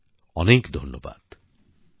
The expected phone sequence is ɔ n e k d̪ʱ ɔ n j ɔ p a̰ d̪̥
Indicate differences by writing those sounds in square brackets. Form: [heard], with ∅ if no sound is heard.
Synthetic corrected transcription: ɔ n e k d̪ʱ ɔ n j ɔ [b] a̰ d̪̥